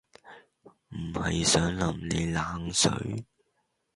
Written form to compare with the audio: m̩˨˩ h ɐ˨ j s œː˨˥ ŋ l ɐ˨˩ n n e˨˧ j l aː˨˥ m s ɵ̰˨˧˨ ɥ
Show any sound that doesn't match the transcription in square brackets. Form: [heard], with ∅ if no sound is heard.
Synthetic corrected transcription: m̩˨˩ h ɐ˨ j s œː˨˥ ŋ l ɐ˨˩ [m] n e˨˧ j l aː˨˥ [ŋ] s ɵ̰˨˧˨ ɥ